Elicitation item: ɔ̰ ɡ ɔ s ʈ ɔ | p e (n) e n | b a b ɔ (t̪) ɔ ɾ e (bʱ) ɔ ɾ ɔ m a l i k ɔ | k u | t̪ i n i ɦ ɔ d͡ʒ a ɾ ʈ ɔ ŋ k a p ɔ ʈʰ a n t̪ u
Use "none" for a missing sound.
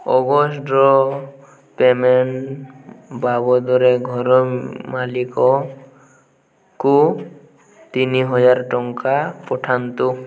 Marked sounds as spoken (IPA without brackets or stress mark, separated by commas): m, d̪, ɡʱ